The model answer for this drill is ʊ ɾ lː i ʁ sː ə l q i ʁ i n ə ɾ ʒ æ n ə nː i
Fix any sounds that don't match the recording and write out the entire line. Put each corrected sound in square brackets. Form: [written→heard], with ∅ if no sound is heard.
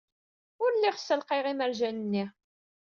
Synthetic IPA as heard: ʊ ɾ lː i ʁ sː ə l q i ʁ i [n→m] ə ɾ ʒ æ n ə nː i